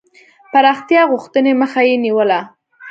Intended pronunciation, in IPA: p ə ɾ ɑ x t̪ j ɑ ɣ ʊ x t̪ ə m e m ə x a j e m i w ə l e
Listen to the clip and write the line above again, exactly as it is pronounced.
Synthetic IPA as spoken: p a ɾ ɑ x t̪ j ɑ ɣ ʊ x t̪ ə n e m ə x a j e n i w ə l a

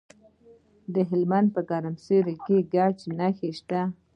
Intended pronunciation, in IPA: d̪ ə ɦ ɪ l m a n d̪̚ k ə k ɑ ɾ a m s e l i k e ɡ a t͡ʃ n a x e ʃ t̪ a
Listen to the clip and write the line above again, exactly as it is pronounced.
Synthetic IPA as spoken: d̪ ə ɦ ɪ l m a n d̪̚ p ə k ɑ ɾ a m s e ɾ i k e ɡ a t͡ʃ n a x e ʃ t̪ a

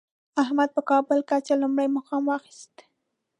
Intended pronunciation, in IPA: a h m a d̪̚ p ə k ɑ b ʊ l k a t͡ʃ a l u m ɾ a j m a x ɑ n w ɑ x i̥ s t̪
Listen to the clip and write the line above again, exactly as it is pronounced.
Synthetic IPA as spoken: a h m a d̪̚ p ə k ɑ b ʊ l k a t͡ʃ a l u m ɽ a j m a x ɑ m w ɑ x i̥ s t̪

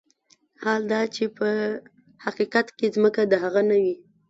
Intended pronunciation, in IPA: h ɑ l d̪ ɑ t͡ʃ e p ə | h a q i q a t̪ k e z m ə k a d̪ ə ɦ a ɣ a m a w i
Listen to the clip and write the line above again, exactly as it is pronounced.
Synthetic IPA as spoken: h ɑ l d̪ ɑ t͡ʃ e p ə | h a q i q a t̪ k e z m ə k a d̪ ə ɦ a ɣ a n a w i

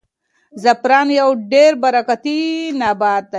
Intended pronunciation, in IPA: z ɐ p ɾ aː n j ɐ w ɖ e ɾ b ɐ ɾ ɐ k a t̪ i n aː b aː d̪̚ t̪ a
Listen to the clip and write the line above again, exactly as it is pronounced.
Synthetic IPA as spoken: z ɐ p ɾ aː n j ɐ w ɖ e ɾ b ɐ ɾ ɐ k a t̪ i n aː b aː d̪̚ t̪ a

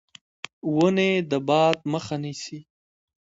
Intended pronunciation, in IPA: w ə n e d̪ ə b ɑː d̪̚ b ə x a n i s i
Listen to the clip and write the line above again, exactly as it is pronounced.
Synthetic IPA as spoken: w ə n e d̪ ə b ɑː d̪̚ m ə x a n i s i

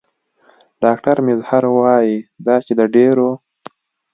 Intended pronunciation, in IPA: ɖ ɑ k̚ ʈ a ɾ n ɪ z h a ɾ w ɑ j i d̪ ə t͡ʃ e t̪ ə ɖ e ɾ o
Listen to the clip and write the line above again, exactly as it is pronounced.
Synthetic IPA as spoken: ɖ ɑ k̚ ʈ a ɾ m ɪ z h a ɾ w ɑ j i d̪ ɑ t͡ʃ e d̪ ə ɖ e ɾ o

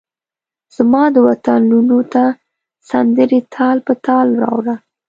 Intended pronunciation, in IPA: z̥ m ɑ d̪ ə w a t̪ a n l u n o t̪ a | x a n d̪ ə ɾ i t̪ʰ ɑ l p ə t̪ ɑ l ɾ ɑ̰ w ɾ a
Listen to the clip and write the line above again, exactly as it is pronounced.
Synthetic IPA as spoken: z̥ m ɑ d̪ ə w a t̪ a n l u n o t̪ a | s a n d̪ ə ɾ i t̪ʰ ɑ l p ə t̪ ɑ l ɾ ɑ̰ w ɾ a

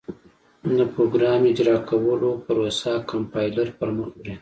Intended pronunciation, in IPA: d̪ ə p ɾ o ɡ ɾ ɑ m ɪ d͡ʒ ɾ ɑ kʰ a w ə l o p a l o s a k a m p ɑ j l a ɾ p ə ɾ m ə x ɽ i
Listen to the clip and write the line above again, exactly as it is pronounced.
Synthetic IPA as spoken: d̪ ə p ɾ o ɡ ɾ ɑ m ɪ d͡ʒ ɾ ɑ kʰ a w ə l o p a ɾ o s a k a m p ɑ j l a ɾ p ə ɾ m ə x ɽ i

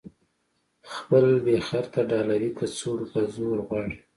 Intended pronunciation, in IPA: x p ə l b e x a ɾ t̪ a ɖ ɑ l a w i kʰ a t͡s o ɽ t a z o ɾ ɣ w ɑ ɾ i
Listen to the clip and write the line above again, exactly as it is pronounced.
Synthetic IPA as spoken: x p ə l b e x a ɾ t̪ a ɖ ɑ l a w i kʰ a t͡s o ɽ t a z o ɾ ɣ w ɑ ɽ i

